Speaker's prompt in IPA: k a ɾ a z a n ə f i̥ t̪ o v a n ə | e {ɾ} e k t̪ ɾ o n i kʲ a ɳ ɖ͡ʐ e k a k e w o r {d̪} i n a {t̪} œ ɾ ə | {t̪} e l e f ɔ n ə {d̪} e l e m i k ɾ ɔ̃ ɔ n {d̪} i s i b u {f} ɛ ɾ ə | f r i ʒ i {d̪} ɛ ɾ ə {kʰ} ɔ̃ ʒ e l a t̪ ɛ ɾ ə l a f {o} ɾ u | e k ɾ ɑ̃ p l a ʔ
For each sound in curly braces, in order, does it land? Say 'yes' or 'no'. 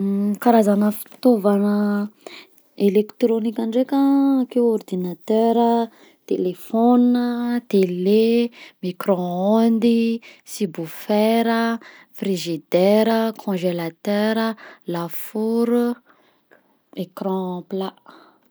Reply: no, yes, yes, yes, no, yes, yes, yes, yes, no

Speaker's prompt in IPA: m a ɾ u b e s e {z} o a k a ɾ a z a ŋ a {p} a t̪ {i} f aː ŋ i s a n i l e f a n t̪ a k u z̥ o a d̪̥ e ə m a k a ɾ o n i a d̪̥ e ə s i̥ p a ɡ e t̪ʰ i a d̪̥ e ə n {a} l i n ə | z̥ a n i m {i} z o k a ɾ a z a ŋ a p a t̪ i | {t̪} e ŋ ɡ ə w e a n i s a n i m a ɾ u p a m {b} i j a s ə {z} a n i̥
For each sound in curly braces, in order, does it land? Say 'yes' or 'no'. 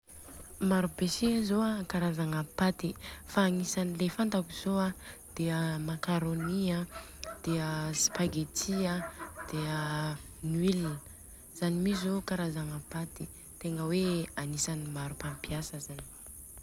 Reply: yes, yes, yes, no, yes, yes, no, yes

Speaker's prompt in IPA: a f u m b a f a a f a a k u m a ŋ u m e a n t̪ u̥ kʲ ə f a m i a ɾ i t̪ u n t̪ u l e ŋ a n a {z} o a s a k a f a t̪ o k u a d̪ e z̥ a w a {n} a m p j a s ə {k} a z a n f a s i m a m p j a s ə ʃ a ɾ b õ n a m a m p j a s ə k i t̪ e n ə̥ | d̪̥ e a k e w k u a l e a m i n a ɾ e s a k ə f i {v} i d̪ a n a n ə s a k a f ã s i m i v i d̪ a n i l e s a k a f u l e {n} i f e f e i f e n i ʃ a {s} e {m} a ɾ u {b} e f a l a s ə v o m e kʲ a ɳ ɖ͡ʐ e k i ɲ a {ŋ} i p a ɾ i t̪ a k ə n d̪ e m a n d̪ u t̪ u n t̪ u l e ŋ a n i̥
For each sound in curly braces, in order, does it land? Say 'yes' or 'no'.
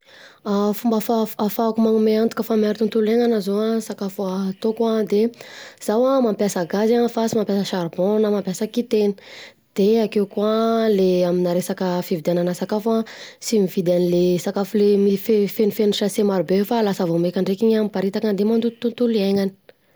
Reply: yes, no, no, yes, no, yes, yes, yes, no

